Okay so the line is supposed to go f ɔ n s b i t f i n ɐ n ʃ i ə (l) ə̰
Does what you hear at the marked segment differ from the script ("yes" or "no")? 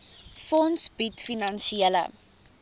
no